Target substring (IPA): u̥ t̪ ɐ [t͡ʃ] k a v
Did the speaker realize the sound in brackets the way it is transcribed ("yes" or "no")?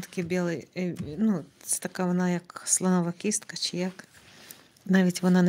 no